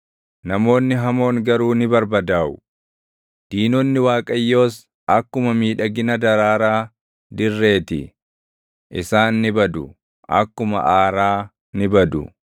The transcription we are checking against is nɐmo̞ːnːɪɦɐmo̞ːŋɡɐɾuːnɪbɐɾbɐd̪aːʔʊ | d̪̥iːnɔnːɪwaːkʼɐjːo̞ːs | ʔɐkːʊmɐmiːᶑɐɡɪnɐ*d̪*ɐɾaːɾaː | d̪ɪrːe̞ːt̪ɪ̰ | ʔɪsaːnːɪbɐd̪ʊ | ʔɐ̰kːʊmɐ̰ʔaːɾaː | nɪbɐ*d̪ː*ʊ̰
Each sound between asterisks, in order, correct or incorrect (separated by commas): correct, incorrect